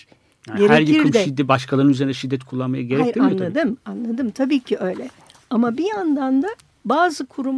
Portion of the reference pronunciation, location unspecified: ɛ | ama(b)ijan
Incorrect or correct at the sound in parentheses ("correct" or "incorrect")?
correct